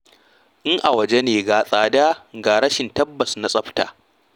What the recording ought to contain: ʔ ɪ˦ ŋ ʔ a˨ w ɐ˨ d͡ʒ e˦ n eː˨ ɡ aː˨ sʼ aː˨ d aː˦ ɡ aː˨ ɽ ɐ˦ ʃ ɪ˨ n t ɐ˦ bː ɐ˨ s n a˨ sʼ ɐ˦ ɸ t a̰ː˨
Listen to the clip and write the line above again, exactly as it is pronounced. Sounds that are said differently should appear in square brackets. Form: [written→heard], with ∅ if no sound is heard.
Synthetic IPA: ʔ ɪ˦ ŋ ʔ a˨ w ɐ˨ d͡ʒ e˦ n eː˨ ɡ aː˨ sʼ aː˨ d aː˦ ɡ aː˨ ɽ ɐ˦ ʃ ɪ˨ n t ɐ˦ bː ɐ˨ s n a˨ sʼ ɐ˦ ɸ t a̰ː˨

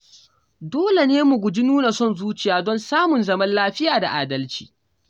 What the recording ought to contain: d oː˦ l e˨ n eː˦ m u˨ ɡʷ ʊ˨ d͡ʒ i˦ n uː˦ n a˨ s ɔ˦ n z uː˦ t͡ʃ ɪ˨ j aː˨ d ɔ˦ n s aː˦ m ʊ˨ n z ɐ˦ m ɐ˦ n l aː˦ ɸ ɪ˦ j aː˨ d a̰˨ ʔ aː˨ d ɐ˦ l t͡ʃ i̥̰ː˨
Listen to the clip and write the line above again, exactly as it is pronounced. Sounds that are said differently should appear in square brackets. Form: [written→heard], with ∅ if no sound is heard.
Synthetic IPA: d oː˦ l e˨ n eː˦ m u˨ ɡʷ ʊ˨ d͡ʒ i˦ n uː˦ n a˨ s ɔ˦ n z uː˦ t͡ʃ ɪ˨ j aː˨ d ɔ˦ n s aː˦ m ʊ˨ n z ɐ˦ m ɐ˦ n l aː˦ ɸ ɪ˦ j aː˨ d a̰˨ ʔ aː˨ d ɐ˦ l t͡ʃ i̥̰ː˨

